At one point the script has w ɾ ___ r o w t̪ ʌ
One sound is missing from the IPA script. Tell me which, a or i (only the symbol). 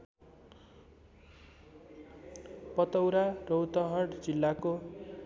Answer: a